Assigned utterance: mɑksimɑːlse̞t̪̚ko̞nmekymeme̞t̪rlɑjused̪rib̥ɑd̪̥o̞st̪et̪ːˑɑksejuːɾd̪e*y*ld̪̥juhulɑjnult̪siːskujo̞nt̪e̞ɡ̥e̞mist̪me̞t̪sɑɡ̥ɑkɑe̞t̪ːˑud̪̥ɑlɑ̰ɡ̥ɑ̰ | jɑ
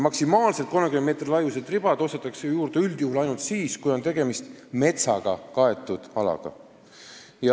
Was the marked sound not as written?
no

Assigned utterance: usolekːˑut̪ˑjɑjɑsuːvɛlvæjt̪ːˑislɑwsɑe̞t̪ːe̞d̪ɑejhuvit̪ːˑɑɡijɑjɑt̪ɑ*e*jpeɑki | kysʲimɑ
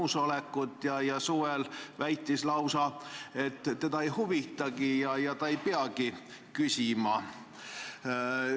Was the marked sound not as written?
no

